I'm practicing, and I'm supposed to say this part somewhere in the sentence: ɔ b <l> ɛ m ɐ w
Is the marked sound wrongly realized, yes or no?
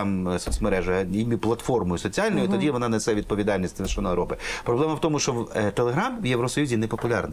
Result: no